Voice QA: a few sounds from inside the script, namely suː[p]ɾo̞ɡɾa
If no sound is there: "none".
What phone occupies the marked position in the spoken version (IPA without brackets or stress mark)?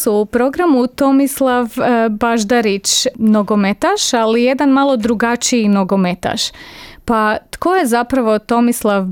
p